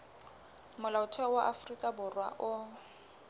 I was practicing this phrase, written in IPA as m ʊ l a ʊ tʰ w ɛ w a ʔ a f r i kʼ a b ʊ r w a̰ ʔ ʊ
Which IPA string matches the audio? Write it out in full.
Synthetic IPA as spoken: m ʊ l a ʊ tʰ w ɛ w a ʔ a f r i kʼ a b ʊ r w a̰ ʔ ʊ